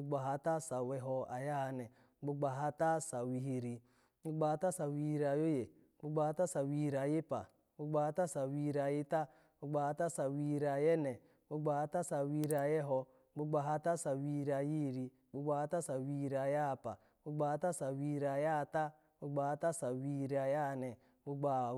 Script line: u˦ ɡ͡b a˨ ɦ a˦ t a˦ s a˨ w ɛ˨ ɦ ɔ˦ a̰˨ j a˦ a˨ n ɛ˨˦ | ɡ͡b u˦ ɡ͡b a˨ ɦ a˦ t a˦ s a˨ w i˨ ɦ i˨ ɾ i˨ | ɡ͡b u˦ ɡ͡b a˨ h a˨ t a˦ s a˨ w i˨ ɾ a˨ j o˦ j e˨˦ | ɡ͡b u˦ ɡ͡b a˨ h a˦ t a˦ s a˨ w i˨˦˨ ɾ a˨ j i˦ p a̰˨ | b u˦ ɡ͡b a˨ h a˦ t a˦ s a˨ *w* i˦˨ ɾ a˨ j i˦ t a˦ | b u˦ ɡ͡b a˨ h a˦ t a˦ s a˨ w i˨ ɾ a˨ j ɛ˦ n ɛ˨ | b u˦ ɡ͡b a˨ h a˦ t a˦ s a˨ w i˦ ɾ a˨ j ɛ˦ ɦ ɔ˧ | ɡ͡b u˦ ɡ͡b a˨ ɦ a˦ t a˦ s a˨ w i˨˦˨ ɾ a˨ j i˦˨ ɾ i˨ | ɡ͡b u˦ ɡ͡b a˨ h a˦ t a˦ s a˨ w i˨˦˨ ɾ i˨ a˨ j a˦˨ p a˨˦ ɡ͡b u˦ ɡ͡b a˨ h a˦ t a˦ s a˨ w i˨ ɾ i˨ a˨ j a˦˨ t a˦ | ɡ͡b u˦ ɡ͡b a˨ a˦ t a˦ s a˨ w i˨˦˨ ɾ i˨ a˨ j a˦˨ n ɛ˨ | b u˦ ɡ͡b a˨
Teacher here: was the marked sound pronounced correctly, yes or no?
yes